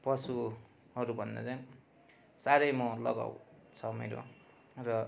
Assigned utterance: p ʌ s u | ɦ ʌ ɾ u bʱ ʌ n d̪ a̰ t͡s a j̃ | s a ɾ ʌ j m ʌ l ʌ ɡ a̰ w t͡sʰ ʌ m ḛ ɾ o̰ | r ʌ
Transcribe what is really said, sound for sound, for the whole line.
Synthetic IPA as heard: p ʌ s u | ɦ ʌ ɾ u bʱ ʌ n d̪ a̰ t͡s a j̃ | s a ɾ ʌ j m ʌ l ʌ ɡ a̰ w t͡sʰ ʌ m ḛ ɾ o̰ | r ʌ

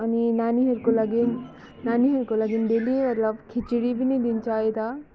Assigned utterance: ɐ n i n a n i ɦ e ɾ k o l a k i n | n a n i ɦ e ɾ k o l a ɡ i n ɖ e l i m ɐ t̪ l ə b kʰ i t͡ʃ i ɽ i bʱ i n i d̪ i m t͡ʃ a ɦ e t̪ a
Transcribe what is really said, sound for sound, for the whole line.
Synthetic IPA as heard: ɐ n i n a n i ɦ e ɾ k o l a ɡ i n | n a n i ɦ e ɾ k o l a ɡ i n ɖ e l i m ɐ t̪ l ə b kʰ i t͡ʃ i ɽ i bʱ i n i d̪ i n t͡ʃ a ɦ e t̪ a

